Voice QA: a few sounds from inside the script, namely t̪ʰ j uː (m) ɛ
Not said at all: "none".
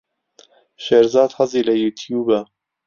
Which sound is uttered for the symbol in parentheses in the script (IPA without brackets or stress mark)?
b